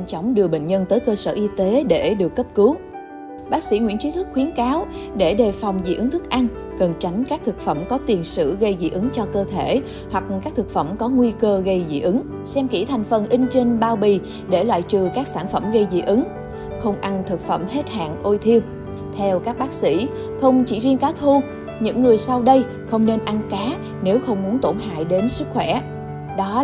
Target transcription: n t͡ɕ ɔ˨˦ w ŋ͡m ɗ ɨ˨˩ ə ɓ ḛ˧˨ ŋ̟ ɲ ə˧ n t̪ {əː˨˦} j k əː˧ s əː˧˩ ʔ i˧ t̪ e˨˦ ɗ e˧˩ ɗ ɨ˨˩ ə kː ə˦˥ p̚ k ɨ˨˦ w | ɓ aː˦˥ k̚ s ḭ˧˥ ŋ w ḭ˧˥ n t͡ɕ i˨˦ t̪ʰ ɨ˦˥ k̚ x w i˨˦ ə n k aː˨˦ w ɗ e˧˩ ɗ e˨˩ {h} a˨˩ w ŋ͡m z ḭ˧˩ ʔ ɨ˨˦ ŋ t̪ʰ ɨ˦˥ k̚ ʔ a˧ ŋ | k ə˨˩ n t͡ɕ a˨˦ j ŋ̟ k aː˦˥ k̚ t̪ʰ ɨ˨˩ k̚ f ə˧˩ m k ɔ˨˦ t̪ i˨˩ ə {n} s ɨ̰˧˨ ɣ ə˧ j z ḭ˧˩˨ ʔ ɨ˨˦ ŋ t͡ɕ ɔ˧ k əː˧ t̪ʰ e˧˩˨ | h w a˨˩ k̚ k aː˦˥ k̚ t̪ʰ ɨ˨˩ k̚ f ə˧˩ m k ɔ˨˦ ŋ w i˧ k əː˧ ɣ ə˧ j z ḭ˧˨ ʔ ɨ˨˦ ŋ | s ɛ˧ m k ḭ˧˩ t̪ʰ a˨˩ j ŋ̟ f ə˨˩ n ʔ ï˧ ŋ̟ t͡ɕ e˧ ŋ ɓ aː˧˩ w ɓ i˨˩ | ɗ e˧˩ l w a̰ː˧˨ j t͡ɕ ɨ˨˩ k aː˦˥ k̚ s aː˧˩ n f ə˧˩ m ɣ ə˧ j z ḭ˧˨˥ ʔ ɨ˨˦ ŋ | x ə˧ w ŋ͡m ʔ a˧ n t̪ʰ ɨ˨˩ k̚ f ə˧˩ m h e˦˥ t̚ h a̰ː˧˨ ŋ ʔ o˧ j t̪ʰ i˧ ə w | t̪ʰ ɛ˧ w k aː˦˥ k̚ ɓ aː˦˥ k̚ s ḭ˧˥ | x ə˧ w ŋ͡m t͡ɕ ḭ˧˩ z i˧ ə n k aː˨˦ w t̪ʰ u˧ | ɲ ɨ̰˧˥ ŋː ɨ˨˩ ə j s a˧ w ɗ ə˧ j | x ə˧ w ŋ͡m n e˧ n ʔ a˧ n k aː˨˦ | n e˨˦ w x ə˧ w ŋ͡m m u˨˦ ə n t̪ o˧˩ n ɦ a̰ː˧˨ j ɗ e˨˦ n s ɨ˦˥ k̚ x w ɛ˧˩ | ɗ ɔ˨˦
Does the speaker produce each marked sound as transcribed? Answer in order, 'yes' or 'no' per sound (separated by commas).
yes, no, yes